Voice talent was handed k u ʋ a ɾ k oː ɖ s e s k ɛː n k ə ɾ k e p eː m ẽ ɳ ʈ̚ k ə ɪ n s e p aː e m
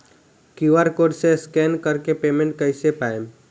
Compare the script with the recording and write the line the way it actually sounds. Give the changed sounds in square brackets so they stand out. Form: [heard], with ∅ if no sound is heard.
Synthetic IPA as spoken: k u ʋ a ɾ k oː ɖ s e s k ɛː n k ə ɾ k e p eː m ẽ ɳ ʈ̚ k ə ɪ [∅] s e p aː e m